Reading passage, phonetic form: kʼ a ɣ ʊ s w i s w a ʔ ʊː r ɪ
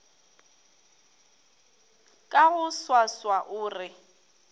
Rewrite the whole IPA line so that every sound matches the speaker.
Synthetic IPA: kʼ a ɣ ʊ s w a s w a ʔ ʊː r ɪ